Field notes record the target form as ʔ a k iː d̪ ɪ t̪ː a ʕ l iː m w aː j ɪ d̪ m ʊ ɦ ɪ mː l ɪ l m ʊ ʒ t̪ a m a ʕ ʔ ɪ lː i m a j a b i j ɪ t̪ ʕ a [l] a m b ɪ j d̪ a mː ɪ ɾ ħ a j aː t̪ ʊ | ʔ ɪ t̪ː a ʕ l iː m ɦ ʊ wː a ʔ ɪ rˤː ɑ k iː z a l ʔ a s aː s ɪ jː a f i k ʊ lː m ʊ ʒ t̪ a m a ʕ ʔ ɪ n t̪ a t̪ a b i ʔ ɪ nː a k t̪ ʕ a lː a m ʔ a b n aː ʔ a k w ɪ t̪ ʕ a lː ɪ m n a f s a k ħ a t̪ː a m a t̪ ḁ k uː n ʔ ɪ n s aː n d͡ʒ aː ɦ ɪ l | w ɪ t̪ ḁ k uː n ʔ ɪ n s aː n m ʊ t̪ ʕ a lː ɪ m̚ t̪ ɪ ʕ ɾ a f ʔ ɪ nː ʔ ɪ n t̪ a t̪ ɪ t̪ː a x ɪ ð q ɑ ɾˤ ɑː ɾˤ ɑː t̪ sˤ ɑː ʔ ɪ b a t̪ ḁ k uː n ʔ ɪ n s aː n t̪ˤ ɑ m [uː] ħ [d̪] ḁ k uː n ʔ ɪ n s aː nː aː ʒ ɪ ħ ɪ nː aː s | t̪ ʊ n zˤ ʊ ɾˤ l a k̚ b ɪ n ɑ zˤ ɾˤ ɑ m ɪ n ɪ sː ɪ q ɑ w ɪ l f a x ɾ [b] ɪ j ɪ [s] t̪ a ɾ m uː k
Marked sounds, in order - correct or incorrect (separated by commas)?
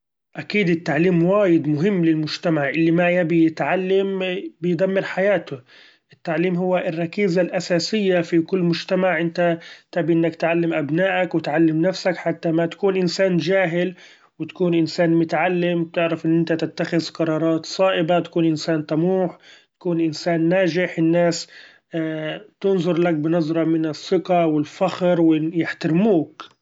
incorrect, correct, incorrect, incorrect, incorrect